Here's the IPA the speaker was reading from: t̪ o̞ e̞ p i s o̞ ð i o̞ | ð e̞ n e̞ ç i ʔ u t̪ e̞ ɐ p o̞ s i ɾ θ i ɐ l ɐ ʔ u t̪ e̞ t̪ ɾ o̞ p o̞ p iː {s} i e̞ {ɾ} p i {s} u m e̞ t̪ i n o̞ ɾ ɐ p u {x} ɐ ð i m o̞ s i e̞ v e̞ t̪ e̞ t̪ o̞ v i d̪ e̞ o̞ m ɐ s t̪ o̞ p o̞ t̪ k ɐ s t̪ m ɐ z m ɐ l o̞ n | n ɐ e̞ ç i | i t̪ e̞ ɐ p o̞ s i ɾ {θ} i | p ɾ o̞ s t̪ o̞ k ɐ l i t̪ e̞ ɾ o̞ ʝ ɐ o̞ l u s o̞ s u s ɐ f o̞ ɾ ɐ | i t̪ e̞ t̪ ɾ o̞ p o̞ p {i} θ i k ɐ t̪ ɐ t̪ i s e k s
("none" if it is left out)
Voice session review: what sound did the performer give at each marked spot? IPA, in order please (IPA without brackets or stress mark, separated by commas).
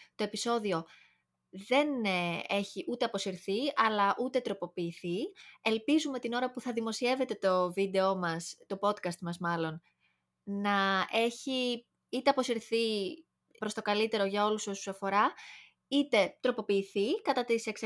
θ, l, z, θ, θ, iː